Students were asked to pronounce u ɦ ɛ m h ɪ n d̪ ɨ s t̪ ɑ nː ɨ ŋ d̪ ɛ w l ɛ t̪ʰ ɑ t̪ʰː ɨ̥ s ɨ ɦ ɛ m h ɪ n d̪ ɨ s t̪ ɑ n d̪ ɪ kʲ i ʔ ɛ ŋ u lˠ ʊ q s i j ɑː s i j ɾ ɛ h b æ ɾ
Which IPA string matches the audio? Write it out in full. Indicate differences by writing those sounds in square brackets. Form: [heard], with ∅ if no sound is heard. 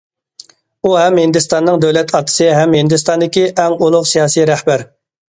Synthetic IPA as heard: u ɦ ɛ m h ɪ n d̪ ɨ s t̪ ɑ nː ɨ ŋ d̪ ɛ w l ɛ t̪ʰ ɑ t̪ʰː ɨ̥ s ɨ ɦ ɛ m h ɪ n d̪ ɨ s t̪ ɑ n d̪ ɪ kʲ i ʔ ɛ ŋ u lˠ ʊ q s i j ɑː s i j ɾ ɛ h b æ ɾ